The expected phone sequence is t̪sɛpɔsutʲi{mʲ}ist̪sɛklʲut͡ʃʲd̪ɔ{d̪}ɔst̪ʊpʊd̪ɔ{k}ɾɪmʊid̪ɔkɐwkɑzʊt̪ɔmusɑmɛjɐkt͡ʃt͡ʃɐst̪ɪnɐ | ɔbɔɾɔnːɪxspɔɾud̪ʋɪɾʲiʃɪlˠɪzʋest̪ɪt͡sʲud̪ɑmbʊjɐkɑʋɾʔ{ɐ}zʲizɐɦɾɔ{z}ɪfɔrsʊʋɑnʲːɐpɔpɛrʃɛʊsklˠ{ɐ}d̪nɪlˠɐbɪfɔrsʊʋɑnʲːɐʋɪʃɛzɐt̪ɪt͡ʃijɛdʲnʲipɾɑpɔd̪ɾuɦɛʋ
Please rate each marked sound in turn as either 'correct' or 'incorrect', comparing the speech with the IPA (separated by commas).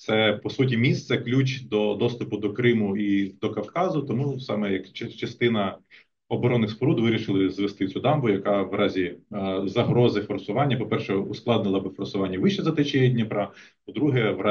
correct, correct, correct, incorrect, correct, incorrect